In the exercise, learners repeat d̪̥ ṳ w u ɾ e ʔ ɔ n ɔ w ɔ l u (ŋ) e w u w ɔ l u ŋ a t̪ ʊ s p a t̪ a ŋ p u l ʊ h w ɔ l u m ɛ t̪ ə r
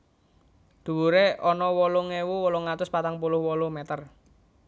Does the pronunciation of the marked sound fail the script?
no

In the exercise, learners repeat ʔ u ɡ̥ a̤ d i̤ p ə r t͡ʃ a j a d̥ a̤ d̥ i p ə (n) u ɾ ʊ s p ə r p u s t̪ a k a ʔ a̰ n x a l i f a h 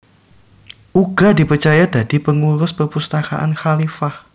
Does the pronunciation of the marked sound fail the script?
yes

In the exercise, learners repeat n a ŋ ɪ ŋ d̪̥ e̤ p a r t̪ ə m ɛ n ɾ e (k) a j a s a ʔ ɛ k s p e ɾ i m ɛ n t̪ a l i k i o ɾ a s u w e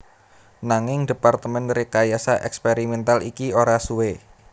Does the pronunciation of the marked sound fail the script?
no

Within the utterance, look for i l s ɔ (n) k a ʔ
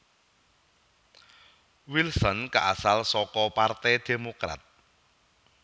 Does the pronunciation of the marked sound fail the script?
no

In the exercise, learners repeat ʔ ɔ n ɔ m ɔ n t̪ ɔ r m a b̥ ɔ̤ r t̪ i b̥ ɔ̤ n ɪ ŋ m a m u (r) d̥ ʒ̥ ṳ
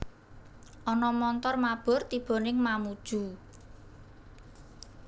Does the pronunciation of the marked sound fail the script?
yes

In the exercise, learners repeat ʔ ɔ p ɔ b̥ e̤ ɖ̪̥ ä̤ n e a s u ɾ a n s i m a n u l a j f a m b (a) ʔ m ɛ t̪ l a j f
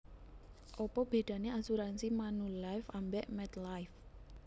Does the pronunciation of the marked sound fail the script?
yes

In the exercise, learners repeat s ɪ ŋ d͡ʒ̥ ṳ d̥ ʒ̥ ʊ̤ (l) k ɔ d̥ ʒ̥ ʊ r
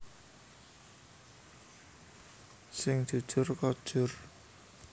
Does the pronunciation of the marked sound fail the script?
yes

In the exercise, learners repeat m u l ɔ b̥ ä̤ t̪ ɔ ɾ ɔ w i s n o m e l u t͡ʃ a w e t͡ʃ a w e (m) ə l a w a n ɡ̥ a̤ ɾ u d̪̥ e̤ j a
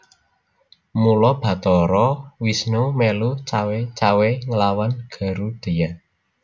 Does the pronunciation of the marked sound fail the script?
yes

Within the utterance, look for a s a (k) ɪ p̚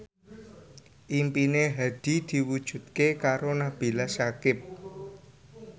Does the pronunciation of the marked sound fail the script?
no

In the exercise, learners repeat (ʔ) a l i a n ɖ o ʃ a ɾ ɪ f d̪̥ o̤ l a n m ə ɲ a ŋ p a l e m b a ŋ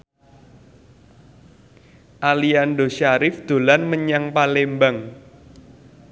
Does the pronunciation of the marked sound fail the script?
no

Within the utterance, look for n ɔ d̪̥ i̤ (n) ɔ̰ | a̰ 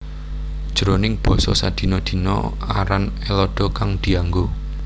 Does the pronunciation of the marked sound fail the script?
no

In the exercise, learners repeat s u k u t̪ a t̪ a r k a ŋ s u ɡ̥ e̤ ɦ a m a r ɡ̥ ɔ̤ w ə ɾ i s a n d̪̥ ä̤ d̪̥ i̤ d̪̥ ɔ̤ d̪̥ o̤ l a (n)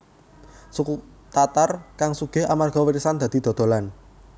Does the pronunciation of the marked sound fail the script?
no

